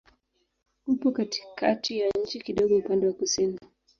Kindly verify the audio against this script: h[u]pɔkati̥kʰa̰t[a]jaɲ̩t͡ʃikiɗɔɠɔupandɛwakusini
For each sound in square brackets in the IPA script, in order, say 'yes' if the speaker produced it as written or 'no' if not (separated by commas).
yes, no